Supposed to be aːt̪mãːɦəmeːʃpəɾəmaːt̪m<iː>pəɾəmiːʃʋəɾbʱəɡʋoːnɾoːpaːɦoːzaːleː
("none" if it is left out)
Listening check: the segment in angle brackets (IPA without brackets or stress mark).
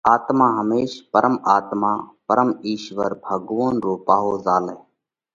aː